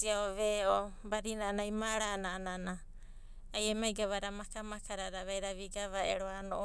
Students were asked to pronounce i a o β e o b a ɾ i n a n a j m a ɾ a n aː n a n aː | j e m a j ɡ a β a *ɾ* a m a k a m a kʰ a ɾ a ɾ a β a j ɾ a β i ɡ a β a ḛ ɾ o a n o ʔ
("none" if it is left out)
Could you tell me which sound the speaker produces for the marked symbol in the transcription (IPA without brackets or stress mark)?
ɾ